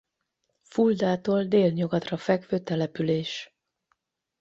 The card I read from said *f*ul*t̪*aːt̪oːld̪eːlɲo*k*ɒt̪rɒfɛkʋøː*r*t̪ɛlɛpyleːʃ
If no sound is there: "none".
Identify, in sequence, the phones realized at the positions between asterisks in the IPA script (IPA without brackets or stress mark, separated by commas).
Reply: f, d̪, ɡ, none